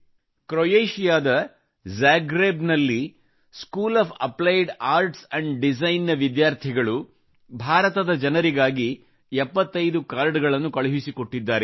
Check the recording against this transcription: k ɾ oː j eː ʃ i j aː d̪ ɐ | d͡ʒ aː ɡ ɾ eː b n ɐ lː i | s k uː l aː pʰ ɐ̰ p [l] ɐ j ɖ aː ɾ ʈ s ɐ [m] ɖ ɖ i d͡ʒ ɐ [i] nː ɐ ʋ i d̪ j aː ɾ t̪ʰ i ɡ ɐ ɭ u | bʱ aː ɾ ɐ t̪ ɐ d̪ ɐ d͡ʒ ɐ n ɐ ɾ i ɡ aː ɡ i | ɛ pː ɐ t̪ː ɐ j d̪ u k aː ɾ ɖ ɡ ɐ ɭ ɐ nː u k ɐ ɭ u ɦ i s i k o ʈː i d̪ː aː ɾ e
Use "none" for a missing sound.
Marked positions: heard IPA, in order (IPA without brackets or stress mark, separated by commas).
l, ɳ, j